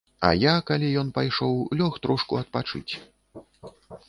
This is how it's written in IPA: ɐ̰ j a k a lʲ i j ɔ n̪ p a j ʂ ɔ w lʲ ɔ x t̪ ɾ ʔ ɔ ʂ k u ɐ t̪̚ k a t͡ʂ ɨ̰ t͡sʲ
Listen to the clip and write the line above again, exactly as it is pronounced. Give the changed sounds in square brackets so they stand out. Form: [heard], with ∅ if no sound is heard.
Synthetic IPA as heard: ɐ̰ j a k a lʲ i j ɔ n̪ p a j ʂ ɔ w lʲ ɔ x t̪ ɾ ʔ ɔ ʂ k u ɐ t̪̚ [p] a t͡ʂ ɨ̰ t͡sʲ